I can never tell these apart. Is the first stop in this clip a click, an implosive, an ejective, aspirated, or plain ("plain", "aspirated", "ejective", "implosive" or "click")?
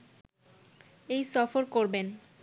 plain